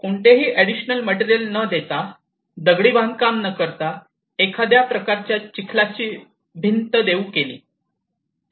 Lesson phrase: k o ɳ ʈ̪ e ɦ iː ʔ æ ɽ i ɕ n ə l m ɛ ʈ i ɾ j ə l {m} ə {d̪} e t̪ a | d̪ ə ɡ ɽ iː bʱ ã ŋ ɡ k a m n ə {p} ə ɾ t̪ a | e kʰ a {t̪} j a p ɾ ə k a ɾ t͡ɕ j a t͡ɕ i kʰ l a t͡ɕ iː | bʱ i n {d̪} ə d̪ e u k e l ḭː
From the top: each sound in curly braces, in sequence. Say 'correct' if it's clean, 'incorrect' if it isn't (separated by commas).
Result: incorrect, correct, incorrect, incorrect, incorrect